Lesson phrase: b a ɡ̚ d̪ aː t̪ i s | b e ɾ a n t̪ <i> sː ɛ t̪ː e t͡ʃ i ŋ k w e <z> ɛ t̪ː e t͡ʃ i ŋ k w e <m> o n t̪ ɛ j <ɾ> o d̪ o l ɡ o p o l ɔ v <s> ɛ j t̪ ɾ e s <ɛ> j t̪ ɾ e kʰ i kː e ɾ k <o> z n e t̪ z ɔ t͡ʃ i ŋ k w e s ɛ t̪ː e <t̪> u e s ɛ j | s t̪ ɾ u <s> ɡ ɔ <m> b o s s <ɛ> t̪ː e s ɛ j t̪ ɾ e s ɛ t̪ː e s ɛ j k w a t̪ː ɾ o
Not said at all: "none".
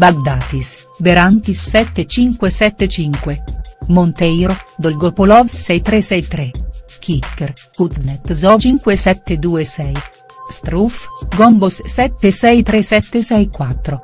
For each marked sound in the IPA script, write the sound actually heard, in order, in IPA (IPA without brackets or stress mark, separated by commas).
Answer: i, s, m, ɾ, s, ɛ, u, d̪, f, m, ɛ